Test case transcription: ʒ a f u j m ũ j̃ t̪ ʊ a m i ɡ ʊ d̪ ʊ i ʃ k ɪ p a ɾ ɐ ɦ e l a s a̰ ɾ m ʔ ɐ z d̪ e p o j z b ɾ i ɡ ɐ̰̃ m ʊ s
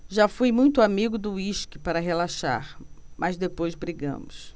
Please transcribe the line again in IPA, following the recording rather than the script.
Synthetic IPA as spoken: ʒ a f u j m ũ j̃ t̪ ʊ a m i ɡ ʊ d̪ ʊ i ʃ k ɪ p a ɾ ɐ ɦ e l a ʃ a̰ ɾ m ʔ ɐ z d̪ e p o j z b ɾ i ɡ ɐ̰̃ m ʊ s